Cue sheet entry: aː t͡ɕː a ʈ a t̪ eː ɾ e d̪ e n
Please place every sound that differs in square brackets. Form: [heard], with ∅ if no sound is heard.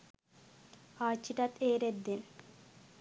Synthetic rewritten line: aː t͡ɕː [i] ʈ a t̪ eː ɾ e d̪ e n